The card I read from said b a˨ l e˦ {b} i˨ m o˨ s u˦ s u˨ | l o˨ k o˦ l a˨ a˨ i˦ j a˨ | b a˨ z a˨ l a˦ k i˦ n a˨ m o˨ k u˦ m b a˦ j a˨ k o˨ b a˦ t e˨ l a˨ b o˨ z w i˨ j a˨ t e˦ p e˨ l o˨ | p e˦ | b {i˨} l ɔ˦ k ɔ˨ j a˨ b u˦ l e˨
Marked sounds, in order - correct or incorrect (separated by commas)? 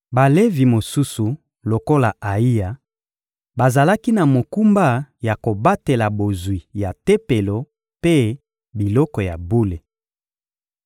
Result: incorrect, correct